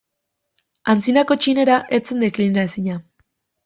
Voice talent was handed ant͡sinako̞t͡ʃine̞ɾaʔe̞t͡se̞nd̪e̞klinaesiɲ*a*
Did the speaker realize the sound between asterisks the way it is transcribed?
yes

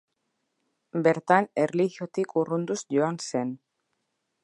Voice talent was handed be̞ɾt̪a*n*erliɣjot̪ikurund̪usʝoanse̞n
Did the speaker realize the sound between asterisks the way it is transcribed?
yes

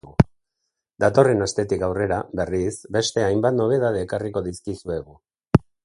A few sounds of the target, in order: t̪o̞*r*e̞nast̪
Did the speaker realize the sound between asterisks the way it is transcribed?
yes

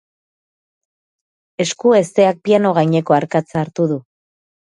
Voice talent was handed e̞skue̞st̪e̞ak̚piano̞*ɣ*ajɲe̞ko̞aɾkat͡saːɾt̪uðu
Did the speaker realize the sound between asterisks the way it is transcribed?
yes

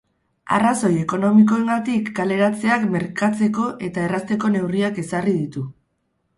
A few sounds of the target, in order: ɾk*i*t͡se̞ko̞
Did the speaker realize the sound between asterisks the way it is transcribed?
no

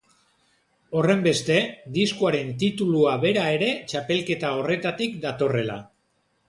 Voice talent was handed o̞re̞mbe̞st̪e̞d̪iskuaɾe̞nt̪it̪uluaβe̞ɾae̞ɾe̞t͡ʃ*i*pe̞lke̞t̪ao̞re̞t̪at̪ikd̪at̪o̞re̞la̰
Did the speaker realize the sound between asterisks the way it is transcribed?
no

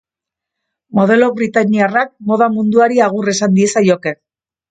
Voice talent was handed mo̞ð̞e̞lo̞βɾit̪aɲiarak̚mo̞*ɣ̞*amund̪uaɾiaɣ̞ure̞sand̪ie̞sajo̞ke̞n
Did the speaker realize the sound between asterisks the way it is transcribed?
no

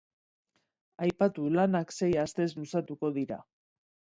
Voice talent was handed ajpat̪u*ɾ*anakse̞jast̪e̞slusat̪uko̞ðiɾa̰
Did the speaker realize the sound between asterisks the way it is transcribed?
no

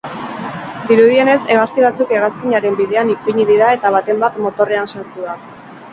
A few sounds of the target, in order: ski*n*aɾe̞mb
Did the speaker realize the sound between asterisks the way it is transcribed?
no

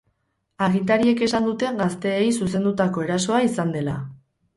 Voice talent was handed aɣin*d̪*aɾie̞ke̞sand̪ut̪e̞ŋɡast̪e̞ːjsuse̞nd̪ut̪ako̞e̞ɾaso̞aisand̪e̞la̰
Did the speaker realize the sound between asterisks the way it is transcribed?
no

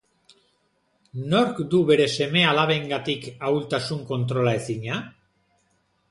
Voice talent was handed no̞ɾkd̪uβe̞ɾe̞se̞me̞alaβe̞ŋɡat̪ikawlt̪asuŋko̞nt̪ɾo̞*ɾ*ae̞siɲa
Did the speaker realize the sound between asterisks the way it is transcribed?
no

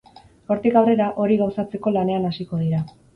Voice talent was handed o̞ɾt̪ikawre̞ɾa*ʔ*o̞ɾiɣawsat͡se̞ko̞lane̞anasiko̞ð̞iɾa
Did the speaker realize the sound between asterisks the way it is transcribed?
yes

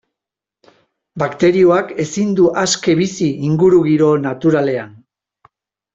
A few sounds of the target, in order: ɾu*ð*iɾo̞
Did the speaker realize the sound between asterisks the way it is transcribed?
no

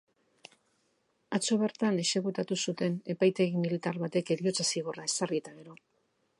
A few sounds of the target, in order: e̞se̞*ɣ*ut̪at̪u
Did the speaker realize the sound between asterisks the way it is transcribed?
yes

